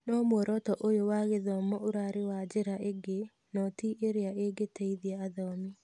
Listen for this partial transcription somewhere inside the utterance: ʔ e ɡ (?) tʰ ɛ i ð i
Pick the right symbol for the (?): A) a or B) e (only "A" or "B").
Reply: B